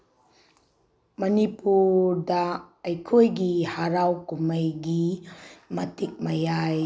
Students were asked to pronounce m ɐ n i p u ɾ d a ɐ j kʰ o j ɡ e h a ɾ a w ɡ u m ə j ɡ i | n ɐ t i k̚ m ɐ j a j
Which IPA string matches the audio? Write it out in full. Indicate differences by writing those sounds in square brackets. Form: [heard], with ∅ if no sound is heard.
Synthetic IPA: m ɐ n i p u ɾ d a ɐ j kʰ o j ɡ [i] h a ɾ a w [k] u m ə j ɡ i | [m] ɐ t i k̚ m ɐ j a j